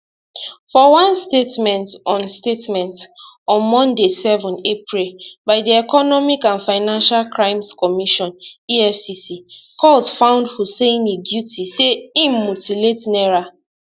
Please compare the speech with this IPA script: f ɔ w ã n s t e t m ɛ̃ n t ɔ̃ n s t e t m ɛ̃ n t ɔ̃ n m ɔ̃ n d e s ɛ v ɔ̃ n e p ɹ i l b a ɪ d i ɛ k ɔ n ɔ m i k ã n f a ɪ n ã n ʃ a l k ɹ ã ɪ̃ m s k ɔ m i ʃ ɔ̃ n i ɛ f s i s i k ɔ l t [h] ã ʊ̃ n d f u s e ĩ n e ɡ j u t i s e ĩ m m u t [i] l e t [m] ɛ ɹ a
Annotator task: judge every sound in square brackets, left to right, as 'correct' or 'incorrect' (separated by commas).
incorrect, correct, incorrect